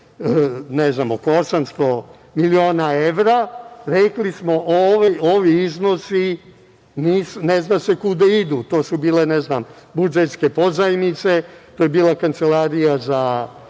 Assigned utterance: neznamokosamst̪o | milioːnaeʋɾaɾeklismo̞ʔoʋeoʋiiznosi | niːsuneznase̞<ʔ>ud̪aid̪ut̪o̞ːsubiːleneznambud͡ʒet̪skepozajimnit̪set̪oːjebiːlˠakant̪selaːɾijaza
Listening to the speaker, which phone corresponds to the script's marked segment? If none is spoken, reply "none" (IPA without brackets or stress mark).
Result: k